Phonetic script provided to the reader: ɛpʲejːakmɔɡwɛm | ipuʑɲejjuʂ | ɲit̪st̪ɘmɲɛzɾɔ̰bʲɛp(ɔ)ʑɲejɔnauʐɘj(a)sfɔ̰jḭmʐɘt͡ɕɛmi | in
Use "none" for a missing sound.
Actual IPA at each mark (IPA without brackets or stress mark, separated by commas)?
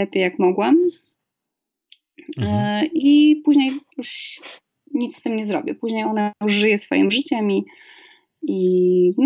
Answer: u, ɛ